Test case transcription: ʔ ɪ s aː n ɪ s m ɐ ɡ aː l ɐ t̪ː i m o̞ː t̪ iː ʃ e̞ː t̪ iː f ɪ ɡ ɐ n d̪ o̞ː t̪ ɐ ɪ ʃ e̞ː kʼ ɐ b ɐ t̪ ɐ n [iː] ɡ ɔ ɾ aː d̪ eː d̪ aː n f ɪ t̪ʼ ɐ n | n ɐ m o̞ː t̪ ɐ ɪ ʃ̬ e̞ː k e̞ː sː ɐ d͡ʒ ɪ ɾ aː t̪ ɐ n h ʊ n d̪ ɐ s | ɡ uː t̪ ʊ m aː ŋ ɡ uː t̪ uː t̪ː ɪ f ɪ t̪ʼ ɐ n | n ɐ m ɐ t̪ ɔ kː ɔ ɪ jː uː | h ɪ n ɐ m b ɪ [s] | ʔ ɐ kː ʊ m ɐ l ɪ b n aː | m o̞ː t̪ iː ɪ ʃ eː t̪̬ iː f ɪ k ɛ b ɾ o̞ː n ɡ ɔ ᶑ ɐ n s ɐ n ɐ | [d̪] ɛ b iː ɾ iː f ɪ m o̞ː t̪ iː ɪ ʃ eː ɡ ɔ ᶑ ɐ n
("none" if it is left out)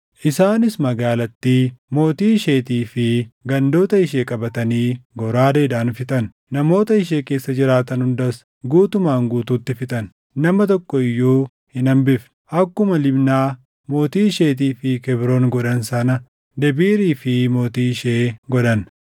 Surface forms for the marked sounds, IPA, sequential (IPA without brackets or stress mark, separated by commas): iː, f, d̪